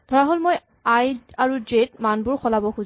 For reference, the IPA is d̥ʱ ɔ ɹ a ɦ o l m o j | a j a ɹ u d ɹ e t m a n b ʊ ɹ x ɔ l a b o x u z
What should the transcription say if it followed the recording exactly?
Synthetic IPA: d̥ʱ ɔ ɹ a ɦ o l m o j | a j a ɹ u d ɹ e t m a n b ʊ ɹ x ɔ l a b ɔ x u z